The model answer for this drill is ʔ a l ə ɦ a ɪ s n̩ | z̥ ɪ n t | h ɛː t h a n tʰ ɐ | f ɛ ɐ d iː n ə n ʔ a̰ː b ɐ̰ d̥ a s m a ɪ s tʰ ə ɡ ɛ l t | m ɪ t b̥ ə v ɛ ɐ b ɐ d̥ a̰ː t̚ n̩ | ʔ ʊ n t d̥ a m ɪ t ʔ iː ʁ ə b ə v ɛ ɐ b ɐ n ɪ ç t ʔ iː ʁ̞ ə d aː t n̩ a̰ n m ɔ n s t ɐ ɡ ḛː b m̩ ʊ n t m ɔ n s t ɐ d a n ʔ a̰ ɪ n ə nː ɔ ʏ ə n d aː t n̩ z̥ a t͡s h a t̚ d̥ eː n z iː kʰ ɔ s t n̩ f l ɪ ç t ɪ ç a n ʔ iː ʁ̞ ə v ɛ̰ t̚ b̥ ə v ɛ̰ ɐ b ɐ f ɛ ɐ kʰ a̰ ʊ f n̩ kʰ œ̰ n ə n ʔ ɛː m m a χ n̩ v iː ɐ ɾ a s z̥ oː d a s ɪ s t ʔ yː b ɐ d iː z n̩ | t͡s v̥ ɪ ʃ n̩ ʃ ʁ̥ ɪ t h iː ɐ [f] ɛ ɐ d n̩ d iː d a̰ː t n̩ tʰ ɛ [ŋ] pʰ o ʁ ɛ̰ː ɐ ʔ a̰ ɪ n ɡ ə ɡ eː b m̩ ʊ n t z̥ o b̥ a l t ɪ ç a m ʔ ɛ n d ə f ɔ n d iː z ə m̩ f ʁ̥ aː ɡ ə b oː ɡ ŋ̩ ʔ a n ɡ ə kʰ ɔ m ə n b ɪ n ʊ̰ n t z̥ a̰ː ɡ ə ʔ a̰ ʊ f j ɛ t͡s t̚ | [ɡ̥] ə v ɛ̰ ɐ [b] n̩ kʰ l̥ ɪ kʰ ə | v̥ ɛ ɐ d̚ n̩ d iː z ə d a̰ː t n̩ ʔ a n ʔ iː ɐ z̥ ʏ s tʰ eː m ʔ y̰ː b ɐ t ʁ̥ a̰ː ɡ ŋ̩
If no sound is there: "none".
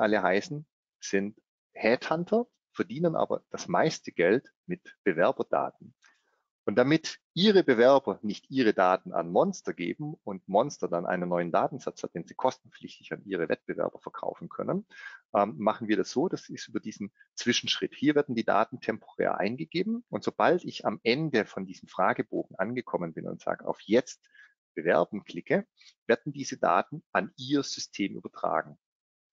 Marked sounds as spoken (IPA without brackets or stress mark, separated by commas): v, m, b̥, b